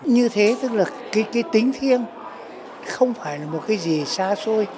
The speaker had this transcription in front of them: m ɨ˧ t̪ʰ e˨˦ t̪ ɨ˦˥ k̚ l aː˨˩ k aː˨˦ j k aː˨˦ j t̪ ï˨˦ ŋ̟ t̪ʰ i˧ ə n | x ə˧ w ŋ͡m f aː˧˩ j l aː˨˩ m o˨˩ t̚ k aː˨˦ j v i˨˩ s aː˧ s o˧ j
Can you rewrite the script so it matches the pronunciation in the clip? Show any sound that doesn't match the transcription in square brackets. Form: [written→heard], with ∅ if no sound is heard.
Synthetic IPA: [m→ɲ] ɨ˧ t̪ʰ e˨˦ t̪ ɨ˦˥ k̚ l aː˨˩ k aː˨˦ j k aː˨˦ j t̪ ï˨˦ ŋ̟ t̪ʰ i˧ ə n | x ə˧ w ŋ͡m f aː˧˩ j l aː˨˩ m o˨˩ t̚ k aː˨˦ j [v→z] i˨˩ s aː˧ s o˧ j